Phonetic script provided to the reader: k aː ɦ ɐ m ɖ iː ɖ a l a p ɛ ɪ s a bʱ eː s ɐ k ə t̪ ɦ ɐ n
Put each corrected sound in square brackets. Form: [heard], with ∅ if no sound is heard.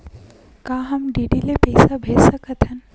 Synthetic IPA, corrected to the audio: k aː ɦ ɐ m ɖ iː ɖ [i] l [e] p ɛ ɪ s a bʱ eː s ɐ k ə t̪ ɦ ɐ n